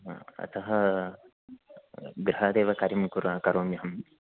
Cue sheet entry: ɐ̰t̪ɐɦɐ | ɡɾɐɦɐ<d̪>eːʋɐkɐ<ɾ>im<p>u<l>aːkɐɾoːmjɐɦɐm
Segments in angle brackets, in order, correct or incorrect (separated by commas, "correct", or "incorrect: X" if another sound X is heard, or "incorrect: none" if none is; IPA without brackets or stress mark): correct, correct, incorrect: k, incorrect: ɾ